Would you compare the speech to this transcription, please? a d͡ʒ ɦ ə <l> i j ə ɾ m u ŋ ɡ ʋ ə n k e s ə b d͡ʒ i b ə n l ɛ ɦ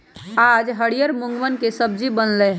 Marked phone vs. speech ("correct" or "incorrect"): incorrect